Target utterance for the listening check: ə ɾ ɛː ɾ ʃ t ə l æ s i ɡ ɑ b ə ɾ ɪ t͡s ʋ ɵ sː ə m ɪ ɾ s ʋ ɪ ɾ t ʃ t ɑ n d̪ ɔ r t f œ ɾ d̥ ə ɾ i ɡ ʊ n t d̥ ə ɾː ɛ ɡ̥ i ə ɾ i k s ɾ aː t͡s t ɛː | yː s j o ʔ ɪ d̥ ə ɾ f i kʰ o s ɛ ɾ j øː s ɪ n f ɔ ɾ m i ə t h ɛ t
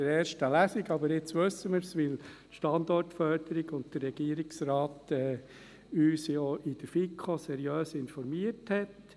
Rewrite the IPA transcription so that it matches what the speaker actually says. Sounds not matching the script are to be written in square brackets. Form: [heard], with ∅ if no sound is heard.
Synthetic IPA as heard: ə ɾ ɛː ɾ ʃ t ə l æ s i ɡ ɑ b ə ɾ ɪ t͡s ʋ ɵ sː ə m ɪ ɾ s ʋ ɪ [l] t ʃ t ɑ n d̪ ɔ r t f œ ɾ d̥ ə ɾ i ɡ ʊ n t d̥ ə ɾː ɛ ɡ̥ i ə ɾ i k s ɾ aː [∅] t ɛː | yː s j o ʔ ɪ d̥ ə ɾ f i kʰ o s ɛ ɾ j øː s ɪ n f ɔ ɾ m i ə t h ɛ t

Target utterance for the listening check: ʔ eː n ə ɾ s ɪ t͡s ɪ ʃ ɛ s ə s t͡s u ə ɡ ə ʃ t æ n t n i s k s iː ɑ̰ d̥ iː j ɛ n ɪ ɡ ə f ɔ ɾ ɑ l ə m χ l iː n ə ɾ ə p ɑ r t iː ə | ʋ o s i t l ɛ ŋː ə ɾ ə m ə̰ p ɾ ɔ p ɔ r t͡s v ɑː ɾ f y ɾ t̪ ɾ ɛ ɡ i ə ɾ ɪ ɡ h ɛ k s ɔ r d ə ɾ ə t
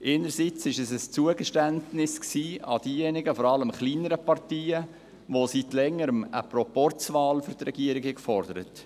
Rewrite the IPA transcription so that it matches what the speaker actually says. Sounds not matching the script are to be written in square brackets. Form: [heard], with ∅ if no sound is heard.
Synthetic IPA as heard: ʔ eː n ə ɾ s [i] t͡s ɪ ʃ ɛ s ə s t͡s u ə ɡ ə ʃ t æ n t n [ɪ] s k s iː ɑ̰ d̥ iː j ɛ n ɪ ɡ ə f ɔ ɾ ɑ l ə m χ l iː n ə ɾ ə p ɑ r t iː ə | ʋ o s i t l ɛ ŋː ə ɾ ə m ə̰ p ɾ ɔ p ɔ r t͡s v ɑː [l] f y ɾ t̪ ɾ ɛ ɡ i ə ɾ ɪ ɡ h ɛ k [f] ɔ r d ə ɾ ə t

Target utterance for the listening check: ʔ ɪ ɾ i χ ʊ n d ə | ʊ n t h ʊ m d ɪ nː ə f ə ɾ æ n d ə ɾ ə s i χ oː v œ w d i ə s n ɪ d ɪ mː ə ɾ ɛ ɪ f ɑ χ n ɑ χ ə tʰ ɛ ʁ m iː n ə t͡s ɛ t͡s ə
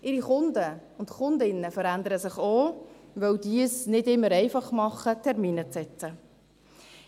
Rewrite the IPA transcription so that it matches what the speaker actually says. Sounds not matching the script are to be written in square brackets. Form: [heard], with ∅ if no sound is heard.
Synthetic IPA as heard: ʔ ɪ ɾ i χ ʊ n d ə | ʊ n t [χ] ʊ [n] d ɪ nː ə f ə ɾ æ n d ə ɾ ə s [ɪ] χ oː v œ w d i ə s n ɪ d ɪ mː ə ɾ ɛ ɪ f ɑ χ [m] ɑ χ ə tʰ ɛ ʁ m iː n ə t͡s ɛ t͡s ə

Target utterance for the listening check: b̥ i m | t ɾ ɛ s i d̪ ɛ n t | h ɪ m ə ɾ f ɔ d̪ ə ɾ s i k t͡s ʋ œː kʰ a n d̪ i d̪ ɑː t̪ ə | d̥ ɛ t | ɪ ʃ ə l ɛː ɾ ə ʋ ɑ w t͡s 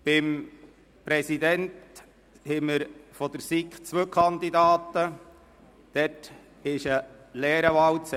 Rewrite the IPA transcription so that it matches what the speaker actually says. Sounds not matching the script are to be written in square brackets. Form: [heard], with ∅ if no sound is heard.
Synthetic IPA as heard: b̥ [ɪ] m | [p] ɾ ɛ s i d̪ ɛ n t | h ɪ m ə ɾ f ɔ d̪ ə ɾ s i k t͡s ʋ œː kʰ [ɑ] n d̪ i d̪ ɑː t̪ ə | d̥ ɛ t | ɪ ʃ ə l ɛː ɾ ə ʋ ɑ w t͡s

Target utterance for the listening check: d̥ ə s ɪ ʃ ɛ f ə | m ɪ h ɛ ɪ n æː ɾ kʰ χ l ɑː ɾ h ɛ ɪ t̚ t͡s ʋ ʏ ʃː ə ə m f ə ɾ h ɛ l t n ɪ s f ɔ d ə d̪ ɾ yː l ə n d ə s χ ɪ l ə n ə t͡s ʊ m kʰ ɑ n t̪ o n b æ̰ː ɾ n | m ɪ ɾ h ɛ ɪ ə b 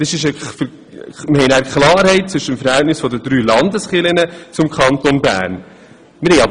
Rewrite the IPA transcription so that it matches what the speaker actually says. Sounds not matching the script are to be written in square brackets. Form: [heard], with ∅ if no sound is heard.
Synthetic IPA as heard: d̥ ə s ɪ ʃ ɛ f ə | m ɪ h ɛ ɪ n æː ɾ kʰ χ l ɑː ɾ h ɛ ɪ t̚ t͡s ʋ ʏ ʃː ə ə m f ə ɾ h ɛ l t n ɪ s f ɔ d ə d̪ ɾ yː l [ɑ] n d ə s χ ɪ l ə n ə t͡s ʊ m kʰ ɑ n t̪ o n b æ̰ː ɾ n | m ɪ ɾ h ɛ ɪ [ɑ] b

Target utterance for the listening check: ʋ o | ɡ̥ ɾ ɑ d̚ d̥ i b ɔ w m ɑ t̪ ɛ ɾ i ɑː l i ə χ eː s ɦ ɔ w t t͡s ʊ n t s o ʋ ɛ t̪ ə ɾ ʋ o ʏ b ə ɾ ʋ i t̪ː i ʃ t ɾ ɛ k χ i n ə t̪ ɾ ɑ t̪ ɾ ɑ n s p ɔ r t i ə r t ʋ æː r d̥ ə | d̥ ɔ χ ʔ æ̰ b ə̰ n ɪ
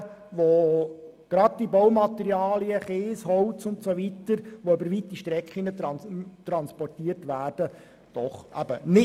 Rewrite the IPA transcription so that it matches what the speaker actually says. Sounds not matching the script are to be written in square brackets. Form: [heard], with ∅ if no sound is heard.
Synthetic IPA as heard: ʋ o | ɡ̥ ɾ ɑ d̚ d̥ i b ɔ w m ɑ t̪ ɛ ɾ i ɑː l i ə χ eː s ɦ ɔ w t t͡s ʊ n t s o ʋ [i] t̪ ə ɾ ʋ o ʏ b ə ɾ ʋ i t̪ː i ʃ t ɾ ɛ k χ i n ə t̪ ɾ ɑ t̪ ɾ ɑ n s p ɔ r t i ə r t ʋ æː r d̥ ə | d̥ ɔ χ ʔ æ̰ b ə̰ n ɪ

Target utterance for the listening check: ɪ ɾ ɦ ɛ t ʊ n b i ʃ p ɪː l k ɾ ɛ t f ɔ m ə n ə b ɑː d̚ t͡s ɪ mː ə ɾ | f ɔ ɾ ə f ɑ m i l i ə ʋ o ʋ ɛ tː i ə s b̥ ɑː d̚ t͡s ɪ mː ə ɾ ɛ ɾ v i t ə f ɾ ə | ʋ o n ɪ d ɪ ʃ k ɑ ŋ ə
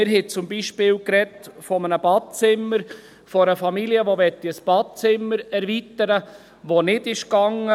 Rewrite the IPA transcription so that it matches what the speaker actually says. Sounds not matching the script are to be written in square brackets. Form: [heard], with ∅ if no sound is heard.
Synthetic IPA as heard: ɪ ɾ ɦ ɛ [t͡s] ʊ [m] b i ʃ p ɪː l k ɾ ɛ t f ɔ m ə n ə b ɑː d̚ t͡s ɪ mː ə ɾ | f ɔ ɾ ə f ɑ m i l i ə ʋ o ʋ ɛ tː i ə s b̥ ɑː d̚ t͡s ɪ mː ə ɾ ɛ ɾ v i t ə [∅] ɾ ə | ʋ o n ɪ d ɪ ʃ k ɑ ŋ ə

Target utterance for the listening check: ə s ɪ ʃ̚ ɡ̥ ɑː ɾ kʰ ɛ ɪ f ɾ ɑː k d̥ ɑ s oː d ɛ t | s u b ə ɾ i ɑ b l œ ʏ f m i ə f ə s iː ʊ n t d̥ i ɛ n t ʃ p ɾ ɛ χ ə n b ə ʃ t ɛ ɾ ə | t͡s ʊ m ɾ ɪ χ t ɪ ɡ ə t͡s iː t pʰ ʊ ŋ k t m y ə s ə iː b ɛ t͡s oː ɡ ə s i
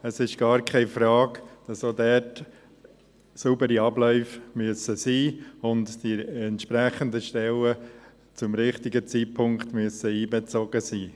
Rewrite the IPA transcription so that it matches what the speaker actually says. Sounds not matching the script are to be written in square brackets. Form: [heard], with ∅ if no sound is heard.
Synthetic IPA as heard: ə s ɪ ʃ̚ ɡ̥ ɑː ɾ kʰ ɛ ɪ f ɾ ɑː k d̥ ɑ s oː d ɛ t | s u b ə ɾ i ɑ b l œ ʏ f m [y] ə [s] ə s iː ʊ n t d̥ i ɛ n t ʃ p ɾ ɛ χ ə n [d] ə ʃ t ɛ [l] ə | t͡s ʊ m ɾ ɪ χ t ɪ ɡ ə t͡s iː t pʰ ʊ ŋ k t m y ə s ə iː b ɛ t͡s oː ɡ ə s [iː]

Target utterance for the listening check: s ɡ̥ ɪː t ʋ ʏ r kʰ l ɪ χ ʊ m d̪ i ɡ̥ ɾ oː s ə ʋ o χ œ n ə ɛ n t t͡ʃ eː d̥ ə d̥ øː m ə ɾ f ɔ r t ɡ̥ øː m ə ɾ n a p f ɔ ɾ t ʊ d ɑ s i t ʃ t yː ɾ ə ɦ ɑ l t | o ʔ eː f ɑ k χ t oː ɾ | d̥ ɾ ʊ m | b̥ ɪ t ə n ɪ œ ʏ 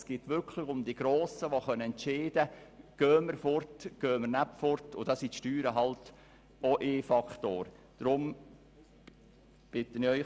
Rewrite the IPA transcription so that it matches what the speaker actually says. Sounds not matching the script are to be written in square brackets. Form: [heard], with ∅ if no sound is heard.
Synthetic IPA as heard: s ɡ̥ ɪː t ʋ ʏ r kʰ l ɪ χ ʊ m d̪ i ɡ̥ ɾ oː s ə ʋ o χ œ n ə ɛ n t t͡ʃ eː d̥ ə [ɡ̥] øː m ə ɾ f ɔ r t ɡ̥ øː m ə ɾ n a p f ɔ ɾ t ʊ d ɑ s i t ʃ t yː ɾ ə ɦ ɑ l t | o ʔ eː f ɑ k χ t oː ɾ | d̥ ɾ ʊ m | b̥ ɪ t ə n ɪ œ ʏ

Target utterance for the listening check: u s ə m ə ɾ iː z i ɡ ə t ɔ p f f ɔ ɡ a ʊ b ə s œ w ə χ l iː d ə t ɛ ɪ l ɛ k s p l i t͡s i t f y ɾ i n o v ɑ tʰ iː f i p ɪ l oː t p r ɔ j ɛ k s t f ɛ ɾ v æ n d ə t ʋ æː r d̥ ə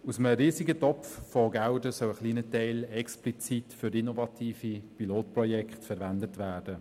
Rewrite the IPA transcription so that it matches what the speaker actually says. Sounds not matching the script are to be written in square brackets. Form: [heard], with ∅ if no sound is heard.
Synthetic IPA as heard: u s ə m ə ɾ iː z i ɡ ə t ɔ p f f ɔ ɡ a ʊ [d] ə s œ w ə χ l iː [n] ə t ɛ ɪ l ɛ k s p l i t͡s i t f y ɾ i n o v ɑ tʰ iː f i p [i] l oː t p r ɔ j ɛ k [χ] t f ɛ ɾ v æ n d ə t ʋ æː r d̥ ə

